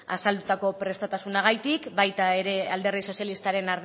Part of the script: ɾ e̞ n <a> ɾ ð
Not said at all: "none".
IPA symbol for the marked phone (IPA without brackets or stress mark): a